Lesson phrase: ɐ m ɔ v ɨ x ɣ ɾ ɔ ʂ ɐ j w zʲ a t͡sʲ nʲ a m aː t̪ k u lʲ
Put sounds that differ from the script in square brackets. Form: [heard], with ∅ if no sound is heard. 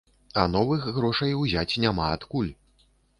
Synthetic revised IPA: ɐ [n] ɔ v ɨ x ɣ ɾ ɔ ʂ ɐ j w zʲ a t͡sʲ nʲ a m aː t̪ k u lʲ